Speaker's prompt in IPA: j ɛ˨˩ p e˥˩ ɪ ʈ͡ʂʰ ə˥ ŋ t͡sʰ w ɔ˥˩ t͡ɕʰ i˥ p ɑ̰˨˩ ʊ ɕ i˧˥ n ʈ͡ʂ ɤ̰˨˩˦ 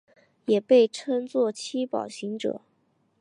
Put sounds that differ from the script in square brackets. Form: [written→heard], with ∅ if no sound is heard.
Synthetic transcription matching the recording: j ɛ˨˩ p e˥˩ ɪ ʈ͡ʂʰ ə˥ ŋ [t͡sʰ→t͡s] w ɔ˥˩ t͡ɕʰ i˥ p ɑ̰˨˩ ʊ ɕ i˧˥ [n→ŋ] ʈ͡ʂ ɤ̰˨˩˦